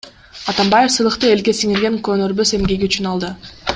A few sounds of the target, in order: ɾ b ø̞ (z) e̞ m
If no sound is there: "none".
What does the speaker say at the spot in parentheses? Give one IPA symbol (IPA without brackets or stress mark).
s